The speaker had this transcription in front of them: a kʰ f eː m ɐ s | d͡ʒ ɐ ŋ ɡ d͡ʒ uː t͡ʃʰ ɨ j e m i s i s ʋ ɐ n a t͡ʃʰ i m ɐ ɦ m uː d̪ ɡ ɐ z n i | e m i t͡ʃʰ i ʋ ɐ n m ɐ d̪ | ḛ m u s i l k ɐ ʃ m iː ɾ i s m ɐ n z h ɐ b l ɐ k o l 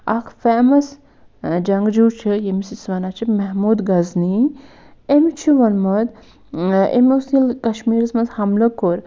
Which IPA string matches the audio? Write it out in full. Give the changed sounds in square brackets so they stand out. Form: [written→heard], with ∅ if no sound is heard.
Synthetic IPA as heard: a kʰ f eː m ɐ s | d͡ʒ ɐ ŋ ɡ d͡ʒ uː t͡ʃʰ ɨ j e m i s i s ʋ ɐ n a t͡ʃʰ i m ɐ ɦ m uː d̪ ɡ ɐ z n i | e m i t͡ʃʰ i ʋ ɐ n m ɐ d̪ | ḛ m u s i l k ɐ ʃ m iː ɾ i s m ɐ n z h ɐ [b→m] l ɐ k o [l→ɾ]